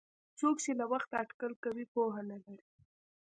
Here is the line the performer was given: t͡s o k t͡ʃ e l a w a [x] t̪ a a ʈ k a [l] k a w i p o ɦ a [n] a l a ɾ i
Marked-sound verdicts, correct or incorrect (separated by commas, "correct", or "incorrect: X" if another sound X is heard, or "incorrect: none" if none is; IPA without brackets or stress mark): correct, correct, correct